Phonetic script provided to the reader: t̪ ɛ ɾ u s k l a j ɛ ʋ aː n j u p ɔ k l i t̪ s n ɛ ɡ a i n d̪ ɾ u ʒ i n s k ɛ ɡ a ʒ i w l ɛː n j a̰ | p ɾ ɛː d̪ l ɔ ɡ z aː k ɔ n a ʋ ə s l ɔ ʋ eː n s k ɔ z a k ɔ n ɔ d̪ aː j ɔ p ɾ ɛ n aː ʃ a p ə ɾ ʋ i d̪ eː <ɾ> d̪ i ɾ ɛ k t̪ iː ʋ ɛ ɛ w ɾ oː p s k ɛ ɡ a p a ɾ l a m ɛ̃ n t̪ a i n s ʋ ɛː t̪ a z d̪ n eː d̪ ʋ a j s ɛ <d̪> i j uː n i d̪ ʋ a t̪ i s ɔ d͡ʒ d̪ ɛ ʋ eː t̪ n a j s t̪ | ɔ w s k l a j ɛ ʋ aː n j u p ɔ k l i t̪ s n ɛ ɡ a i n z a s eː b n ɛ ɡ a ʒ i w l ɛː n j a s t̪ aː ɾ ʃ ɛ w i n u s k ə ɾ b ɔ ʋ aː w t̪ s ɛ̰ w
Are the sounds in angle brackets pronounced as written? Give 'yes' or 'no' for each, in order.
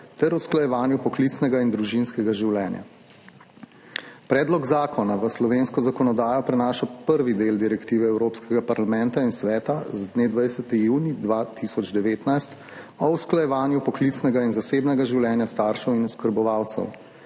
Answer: no, no

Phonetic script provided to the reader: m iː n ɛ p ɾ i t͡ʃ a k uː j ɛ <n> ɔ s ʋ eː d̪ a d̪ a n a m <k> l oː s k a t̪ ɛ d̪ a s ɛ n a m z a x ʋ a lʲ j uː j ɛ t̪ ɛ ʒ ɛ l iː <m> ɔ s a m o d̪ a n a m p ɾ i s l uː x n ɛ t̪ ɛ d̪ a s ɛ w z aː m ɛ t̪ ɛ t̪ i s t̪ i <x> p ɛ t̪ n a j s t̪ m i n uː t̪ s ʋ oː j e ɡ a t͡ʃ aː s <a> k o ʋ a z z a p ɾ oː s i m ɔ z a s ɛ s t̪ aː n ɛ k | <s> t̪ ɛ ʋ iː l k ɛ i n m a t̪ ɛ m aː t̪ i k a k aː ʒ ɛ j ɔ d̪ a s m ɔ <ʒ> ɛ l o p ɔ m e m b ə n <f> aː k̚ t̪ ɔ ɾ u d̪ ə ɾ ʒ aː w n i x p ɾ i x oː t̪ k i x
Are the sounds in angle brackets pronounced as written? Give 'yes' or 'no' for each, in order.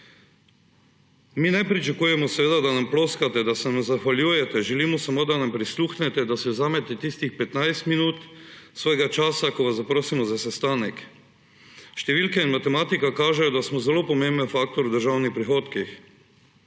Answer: no, no, yes, yes, yes, no, no, yes

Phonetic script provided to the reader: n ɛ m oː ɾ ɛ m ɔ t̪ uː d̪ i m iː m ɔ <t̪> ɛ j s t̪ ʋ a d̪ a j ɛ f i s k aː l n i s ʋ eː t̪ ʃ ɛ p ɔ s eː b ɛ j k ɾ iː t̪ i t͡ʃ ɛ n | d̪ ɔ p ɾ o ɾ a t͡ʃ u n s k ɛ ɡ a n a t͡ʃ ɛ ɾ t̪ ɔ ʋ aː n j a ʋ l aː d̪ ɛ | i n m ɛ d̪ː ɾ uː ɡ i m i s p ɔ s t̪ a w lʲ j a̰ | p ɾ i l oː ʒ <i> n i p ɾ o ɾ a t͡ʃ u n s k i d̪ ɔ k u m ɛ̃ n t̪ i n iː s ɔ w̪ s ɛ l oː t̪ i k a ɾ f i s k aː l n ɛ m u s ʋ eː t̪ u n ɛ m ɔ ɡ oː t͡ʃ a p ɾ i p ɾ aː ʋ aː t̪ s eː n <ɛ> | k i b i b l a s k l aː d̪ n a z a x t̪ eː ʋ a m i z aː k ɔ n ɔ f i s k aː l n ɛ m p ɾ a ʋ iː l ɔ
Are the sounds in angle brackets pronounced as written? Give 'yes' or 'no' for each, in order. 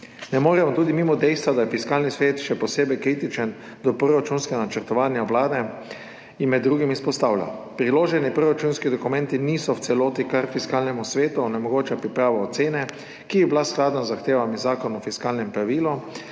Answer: no, no, yes

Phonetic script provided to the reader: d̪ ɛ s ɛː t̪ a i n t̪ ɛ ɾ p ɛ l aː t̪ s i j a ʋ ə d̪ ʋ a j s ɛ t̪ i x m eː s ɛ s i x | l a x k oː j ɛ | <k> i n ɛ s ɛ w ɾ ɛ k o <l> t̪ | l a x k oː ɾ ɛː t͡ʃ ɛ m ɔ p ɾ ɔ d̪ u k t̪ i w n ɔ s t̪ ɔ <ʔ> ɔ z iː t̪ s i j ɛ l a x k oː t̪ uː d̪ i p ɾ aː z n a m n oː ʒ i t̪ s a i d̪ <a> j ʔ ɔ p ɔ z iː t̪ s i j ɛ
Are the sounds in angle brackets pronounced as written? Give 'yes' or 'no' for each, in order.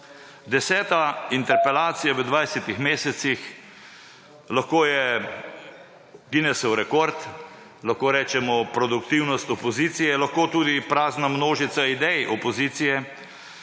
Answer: no, no, no, no

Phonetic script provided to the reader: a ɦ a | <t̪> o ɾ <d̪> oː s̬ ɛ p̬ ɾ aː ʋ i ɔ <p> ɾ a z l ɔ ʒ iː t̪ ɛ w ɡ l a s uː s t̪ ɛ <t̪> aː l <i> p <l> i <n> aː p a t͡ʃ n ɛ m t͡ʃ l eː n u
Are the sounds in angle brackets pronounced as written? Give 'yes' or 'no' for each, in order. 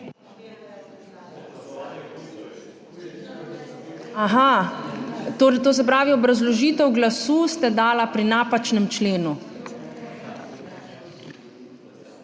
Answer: yes, no, no, no, no, no, yes

